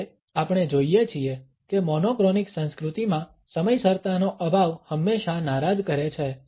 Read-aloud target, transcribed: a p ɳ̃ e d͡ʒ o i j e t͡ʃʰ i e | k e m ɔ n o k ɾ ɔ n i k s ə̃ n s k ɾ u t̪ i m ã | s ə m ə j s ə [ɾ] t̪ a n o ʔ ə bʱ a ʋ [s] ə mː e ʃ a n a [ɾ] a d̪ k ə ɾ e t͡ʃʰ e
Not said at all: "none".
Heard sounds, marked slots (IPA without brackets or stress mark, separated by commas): ɾ, h, ɾ